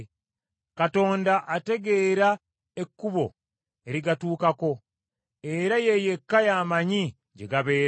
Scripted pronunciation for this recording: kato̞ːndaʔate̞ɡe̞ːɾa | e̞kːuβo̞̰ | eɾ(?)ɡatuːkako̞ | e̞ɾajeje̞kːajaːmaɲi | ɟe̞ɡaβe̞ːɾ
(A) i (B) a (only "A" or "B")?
A